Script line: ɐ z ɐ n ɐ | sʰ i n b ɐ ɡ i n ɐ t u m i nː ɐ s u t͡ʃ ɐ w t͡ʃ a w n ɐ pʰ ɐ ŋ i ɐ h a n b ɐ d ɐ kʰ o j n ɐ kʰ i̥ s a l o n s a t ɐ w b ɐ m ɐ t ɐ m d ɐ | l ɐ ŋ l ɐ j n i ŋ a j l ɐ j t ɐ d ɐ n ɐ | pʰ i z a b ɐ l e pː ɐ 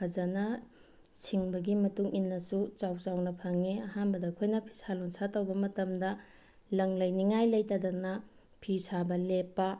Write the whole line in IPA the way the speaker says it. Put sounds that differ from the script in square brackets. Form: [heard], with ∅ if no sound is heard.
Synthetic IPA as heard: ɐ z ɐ n ɐ | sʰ i [ŋ] b ɐ ɡ i [m] ɐ t u [ŋ] i nː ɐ s u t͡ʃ [a] w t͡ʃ a w n ɐ pʰ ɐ ŋ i ɐ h a n b ɐ d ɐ kʰ o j n ɐ [pʰ] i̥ s a l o n s a t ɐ w b ɐ m ɐ t ɐ m d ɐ | l ɐ ŋ l ɐ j n i ŋ a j l ɐ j t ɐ d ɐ n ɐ | pʰ i [s] a b ɐ l e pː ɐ